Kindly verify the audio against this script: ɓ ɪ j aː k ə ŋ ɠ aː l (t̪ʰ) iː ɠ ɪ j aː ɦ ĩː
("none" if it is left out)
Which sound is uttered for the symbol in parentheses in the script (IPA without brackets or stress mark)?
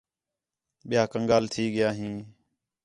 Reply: t̪ʰ